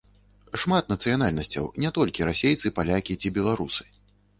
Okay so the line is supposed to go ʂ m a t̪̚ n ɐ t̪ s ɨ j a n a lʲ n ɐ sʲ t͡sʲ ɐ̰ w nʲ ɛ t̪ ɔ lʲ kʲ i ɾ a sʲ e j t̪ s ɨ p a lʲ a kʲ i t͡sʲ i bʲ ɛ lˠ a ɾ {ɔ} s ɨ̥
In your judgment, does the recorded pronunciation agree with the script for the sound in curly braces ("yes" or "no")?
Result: no